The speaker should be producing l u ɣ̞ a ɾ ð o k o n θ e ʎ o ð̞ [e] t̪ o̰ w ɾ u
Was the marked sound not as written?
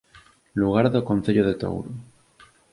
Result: no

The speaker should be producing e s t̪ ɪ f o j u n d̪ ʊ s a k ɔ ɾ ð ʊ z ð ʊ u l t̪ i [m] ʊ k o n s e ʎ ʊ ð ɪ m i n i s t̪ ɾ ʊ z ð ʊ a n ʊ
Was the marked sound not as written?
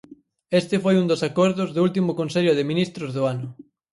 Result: no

